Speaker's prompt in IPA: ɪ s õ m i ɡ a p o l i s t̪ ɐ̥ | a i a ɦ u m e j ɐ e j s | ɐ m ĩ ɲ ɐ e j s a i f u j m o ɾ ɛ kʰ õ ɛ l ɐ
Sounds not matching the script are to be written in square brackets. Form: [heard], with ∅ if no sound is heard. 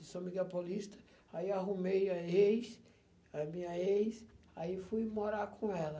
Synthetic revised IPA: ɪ s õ m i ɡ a p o l i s t̪ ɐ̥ | a i a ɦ u m e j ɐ e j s | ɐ m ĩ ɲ ɐ e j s a i f u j m o ɾ [a] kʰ õ ɛ l ɐ